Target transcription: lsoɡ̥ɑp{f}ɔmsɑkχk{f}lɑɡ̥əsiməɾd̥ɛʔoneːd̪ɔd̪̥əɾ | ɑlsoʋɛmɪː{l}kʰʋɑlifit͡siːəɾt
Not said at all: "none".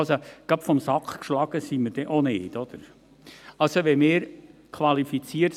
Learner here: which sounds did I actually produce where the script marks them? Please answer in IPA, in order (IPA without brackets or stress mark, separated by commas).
f, ʃ, ɾ